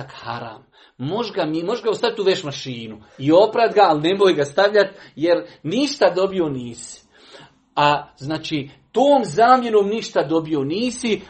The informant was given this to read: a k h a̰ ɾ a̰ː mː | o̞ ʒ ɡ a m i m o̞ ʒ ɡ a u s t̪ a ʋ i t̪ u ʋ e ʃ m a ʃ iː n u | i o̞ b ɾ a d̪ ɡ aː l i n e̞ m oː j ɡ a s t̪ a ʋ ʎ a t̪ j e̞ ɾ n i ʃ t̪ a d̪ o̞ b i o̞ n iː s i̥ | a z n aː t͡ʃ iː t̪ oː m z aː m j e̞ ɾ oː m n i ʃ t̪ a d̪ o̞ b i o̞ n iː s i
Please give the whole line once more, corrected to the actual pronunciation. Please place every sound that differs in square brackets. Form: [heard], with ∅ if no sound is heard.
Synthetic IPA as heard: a k h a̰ ɾ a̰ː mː | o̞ ʒ ɡ a m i m o̞ ʒ ɡ a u s t̪ a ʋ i t̪ u ʋ e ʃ m a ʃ iː n u | i o̞ [p] ɾ a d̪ ɡ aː l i n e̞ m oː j ɡ a s t̪ a ʋ ʎ a t̪ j e̞ ɾ n i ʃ t̪ a d̪ o̞ b i o̞ n iː s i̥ | a z n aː t͡ʃ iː t̪ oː m z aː m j e̞ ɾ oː m n i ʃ t̪ a d̪ o̞ b i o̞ n iː s i